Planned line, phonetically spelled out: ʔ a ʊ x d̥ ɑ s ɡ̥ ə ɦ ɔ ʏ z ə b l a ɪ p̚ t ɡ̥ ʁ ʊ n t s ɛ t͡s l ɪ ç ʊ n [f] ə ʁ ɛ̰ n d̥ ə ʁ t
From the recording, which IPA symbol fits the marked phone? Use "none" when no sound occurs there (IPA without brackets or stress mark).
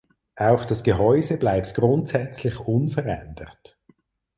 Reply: f